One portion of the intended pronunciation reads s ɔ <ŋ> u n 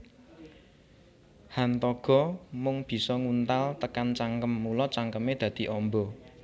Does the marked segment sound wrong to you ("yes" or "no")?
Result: no